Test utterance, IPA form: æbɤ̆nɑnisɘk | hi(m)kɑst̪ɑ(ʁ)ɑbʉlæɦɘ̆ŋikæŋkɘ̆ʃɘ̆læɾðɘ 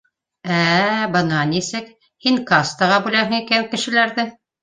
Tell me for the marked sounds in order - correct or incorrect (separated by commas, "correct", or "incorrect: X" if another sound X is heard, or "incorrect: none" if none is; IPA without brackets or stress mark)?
incorrect: ŋ, correct